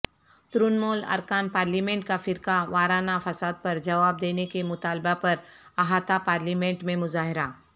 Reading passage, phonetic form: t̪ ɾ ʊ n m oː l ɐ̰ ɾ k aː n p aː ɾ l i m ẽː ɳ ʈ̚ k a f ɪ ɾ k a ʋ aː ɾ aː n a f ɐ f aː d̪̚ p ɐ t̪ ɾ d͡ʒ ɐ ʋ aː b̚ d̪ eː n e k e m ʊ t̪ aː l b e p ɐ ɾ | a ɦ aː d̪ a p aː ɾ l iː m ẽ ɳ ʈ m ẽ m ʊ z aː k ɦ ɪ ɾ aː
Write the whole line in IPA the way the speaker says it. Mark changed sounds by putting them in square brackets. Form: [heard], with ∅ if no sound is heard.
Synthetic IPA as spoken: t̪ ɾ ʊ n m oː l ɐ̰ ɾ k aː n p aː ɾ l i m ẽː ɳ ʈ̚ k a f ɪ ɾ k a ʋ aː ɾ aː n a f ɐ [s] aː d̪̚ p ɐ [∅] ɾ d͡ʒ ɐ ʋ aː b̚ d̪ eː n e k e m ʊ t̪ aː l b [a] p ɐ ɾ | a ɦ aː [t̪] a p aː ɾ l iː m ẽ ɳ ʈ m ẽ m ʊ z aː [∅] ɦ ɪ ɾ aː

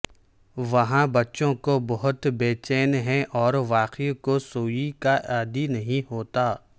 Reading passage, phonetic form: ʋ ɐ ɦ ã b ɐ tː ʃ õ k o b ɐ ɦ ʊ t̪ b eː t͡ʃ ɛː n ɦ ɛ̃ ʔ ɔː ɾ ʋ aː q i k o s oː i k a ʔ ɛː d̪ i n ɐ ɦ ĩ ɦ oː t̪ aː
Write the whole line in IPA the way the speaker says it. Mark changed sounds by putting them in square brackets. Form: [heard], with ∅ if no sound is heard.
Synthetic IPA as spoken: ʋ ɐ ɦ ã b ɐ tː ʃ õ k o b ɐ ɦ ʊ t̪ b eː t͡ʃ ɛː n ɦ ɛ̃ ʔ ɔː ɾ ʋ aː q i k o s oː i k a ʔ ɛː d̪ i n ɐ ɦ ĩ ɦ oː t̪ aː

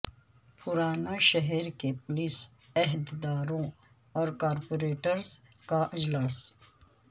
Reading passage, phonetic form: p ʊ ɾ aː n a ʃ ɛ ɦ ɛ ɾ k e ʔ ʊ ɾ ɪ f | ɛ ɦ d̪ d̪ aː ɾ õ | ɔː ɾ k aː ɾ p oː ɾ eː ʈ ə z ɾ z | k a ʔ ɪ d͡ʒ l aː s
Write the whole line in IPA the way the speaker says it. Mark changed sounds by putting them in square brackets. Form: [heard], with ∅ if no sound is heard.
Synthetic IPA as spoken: p ʊ ɾ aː n a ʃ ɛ ɦ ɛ ɾ k e [p] ʊ [l] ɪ [s] | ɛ ɦ d̪ d̪ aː ɾ õ | ɔː ɾ k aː ɾ p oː ɾ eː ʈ ə [∅] ɾ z | k a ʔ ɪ d͡ʒ l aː s

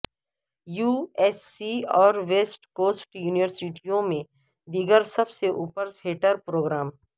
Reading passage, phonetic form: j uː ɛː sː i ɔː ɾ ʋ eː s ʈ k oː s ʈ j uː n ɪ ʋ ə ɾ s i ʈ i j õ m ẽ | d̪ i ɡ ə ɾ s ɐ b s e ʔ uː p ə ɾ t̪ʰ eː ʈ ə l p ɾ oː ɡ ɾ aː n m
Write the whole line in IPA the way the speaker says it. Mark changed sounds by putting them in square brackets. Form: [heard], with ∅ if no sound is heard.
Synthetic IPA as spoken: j uː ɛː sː i ɔː ɾ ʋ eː s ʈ k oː s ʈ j uː n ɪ ʋ ə ɾ s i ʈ i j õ m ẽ | d̪ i ɡ ə ɾ s ɐ b s e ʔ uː p ə ɾ t̪ʰ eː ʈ ə [ɾ] p ɾ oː ɡ ɾ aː [∅] m

